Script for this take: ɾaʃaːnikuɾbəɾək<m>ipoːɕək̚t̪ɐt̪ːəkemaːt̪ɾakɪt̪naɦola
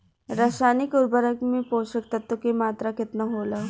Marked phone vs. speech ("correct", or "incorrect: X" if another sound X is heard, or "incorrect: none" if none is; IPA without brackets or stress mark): correct